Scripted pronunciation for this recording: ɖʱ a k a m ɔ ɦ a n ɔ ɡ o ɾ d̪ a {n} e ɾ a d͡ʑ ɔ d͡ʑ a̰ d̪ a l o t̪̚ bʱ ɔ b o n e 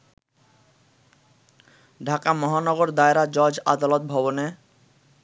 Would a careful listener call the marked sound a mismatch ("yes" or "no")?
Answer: yes